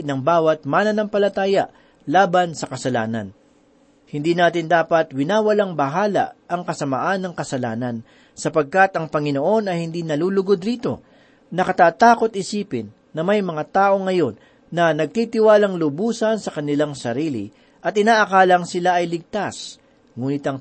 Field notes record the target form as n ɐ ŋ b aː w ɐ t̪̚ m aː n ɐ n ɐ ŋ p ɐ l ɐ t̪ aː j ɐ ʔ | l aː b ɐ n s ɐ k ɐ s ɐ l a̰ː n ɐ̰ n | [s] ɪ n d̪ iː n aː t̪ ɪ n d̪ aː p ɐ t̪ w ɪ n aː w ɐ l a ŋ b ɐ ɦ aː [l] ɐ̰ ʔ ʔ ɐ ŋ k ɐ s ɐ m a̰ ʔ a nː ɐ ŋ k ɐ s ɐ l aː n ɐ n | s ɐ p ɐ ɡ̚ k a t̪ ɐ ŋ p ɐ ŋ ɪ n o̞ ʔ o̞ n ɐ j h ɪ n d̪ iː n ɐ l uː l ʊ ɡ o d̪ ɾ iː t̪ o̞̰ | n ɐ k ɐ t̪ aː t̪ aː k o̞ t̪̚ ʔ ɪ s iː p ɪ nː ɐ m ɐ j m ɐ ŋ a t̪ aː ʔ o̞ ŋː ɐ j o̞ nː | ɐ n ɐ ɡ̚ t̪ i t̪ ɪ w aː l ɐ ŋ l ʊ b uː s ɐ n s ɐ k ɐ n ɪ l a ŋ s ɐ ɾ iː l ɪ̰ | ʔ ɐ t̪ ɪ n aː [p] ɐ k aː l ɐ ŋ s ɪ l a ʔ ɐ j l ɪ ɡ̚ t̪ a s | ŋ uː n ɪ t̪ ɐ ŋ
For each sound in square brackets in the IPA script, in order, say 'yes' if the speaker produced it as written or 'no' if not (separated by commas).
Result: no, yes, no